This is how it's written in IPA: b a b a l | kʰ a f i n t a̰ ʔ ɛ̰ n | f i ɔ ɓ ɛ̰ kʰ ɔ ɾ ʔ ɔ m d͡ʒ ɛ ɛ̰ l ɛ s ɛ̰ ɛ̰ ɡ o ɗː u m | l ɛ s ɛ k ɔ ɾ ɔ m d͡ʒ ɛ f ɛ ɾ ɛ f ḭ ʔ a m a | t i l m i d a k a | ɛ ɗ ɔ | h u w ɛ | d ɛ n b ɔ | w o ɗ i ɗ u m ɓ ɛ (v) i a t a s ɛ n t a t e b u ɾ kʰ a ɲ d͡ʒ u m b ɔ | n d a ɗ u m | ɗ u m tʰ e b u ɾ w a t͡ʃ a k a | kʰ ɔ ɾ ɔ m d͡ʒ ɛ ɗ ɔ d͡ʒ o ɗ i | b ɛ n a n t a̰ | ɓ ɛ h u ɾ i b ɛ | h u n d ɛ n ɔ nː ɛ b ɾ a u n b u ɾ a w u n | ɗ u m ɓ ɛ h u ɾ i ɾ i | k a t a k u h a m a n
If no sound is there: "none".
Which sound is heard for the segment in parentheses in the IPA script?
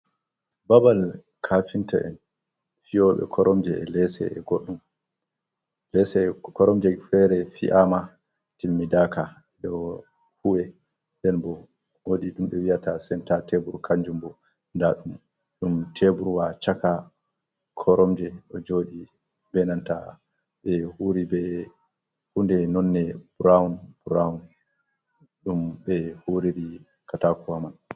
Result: w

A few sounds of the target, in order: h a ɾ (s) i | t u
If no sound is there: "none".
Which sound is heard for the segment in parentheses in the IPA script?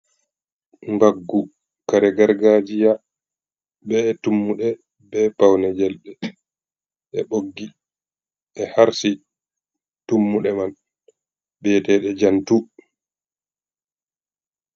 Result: s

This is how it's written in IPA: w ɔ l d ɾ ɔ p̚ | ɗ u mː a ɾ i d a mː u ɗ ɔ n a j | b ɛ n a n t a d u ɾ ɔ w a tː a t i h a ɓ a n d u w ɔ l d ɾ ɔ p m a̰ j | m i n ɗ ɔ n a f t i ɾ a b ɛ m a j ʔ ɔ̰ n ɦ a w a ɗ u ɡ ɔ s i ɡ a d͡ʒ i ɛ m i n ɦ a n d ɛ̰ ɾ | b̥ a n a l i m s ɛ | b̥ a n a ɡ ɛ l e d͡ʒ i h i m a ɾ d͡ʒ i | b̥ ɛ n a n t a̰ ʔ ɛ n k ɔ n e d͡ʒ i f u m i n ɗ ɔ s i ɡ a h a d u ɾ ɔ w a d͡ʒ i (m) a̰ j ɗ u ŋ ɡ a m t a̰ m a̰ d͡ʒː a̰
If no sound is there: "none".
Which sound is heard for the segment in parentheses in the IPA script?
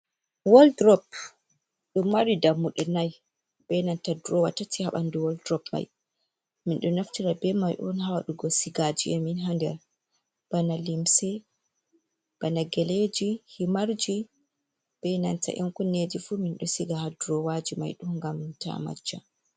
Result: m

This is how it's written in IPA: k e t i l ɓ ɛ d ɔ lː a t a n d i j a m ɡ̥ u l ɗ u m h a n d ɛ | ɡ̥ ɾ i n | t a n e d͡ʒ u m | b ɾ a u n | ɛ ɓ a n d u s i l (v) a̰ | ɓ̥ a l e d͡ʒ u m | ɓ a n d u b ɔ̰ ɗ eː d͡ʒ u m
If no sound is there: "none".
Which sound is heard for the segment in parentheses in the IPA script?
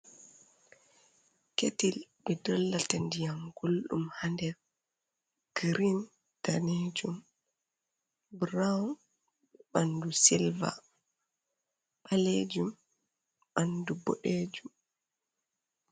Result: v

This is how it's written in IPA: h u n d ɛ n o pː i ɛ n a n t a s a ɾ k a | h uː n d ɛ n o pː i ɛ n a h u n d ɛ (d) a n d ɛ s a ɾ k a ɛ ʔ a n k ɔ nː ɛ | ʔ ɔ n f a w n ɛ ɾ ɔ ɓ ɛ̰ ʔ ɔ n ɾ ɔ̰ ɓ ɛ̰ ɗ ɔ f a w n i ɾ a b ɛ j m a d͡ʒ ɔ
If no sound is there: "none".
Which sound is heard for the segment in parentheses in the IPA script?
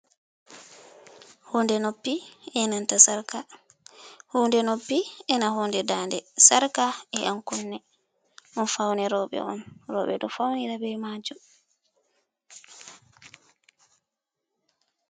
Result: d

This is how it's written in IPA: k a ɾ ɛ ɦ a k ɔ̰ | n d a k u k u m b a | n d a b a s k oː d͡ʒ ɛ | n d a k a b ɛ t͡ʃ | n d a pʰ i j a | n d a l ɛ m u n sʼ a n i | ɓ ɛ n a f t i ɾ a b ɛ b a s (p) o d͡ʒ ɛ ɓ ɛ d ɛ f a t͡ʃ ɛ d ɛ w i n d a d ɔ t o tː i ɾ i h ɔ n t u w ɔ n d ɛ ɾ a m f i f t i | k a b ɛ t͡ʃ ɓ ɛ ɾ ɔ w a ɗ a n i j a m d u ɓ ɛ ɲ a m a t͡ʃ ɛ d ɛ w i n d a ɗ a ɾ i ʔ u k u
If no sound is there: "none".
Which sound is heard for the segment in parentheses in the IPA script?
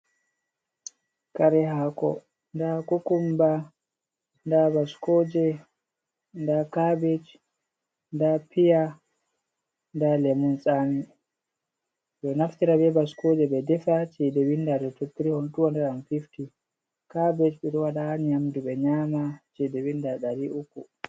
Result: k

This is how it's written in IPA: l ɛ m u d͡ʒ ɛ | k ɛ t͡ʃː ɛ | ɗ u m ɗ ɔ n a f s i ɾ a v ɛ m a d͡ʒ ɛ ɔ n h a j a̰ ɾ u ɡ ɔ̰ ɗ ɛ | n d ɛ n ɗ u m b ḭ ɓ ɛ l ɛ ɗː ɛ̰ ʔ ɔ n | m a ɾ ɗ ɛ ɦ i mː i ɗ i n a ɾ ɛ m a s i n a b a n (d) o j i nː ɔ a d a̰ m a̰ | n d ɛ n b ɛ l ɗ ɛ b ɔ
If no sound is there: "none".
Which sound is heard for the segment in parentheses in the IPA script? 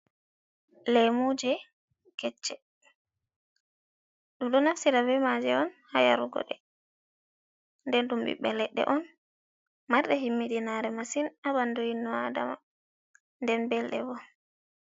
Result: d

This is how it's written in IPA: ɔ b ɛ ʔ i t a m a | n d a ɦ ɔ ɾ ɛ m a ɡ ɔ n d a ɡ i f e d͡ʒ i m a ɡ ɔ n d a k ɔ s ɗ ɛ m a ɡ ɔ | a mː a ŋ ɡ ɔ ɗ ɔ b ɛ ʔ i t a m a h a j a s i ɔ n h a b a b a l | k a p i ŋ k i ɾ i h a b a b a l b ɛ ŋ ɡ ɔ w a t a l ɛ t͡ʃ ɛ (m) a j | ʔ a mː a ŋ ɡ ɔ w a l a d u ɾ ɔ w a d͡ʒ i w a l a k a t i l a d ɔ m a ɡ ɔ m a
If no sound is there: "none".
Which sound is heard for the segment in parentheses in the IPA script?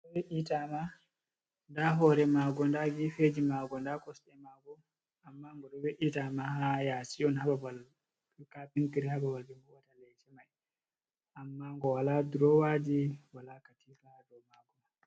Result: m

